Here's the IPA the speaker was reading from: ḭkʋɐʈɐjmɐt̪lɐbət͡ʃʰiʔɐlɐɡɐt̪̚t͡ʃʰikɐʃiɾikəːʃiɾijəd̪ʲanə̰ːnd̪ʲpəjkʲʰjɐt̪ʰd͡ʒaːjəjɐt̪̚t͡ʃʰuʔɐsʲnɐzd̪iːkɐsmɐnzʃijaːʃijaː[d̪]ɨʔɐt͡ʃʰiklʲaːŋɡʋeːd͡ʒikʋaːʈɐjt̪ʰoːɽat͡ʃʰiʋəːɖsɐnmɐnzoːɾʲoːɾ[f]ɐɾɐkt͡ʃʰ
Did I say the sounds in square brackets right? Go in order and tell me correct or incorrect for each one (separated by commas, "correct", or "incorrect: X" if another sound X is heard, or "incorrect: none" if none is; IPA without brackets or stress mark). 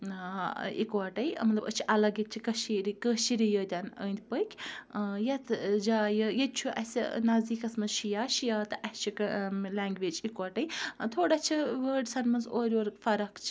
incorrect: t̪, correct